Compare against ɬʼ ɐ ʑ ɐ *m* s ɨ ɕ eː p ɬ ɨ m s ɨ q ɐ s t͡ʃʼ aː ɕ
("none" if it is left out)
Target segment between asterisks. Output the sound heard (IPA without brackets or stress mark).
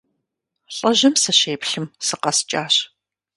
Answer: m